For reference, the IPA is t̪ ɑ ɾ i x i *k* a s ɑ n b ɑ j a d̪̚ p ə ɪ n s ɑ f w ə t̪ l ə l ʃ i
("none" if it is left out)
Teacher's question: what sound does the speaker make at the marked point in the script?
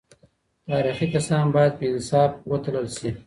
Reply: k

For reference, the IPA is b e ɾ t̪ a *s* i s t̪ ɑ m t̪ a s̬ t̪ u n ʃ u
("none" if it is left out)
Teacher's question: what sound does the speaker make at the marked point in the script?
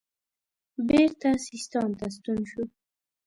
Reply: s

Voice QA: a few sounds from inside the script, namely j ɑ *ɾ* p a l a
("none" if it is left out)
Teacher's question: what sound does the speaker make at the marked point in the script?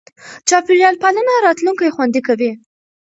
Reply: l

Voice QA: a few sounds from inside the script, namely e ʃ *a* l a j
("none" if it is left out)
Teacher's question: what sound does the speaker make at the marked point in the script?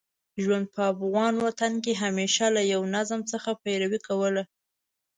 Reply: a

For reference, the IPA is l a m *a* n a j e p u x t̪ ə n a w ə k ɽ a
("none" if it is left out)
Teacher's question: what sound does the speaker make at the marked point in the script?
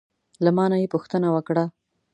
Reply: ɑ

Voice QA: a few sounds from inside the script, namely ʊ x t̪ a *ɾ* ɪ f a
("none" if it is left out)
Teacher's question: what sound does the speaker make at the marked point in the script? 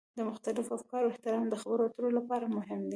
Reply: l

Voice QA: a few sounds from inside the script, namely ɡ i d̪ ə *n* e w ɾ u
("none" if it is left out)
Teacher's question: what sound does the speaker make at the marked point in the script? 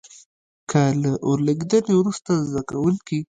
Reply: n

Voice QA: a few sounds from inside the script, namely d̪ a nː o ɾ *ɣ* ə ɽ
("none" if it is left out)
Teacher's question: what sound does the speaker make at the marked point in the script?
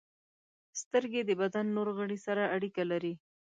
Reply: ɣ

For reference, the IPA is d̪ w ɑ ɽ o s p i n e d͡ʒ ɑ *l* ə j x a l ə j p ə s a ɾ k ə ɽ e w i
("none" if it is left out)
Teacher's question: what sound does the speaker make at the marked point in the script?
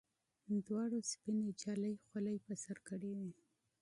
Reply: l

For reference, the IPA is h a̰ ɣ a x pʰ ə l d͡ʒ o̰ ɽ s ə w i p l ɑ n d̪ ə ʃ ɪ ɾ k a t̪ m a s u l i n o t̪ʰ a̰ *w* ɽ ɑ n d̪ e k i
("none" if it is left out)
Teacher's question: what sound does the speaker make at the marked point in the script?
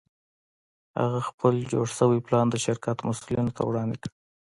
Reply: w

